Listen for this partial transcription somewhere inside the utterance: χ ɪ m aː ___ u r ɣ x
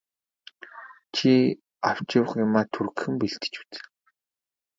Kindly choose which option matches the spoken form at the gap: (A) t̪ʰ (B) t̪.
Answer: A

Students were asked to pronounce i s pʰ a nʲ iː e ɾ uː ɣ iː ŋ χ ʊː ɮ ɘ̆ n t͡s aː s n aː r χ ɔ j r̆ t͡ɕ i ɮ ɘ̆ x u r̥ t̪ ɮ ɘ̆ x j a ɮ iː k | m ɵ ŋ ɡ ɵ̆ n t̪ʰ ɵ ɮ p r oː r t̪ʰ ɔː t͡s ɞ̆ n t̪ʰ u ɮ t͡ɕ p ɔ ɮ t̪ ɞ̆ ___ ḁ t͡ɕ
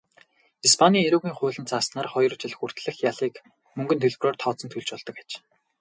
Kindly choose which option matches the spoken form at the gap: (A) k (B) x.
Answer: A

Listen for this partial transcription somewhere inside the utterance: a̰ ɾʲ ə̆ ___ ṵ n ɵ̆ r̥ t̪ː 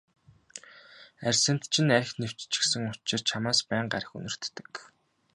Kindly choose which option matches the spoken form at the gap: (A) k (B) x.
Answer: B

